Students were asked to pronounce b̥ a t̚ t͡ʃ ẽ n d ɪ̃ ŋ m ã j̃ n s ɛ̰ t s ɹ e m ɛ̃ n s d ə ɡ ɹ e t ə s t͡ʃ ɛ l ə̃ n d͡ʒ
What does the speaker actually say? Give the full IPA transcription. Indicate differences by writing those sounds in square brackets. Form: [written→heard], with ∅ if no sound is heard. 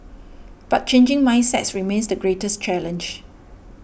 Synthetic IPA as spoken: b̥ a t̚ t͡ʃ ẽ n [d→d͡ʒ] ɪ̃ ŋ m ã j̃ n s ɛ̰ t s ɹ [e→i] m [ɛ̃→ẽ] n s d ə ɡ ɹ e t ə s t͡ʃ ɛ l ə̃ n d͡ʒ